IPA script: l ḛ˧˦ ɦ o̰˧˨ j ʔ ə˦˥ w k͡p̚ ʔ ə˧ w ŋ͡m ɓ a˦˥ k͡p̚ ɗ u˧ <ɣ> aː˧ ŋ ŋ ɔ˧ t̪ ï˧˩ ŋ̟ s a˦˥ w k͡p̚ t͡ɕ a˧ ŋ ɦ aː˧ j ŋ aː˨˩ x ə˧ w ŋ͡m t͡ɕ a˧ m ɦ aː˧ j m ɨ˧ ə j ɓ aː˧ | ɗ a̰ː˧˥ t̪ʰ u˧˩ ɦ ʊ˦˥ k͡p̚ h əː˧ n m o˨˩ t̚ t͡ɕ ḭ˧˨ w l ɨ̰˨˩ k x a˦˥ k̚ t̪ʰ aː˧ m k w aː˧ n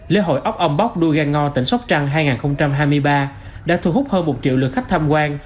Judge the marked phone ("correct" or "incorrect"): correct